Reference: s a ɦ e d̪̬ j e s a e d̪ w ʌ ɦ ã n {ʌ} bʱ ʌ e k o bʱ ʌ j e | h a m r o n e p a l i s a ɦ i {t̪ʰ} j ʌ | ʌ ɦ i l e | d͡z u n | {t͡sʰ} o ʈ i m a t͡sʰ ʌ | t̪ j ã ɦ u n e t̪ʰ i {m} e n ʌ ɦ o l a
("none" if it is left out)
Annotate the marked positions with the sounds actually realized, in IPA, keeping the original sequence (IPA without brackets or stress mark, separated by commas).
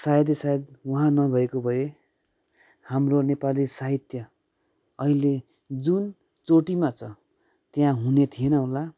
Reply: ʌ, t̪, t͡s, none